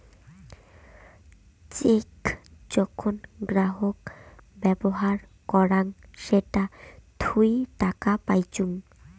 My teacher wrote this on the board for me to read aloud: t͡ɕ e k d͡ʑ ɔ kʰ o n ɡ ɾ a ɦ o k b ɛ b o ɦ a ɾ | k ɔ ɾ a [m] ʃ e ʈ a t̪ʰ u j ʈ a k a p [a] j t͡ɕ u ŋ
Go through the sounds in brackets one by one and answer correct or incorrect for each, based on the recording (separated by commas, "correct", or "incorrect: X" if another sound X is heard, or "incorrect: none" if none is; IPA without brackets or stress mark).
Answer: incorrect: ŋ, correct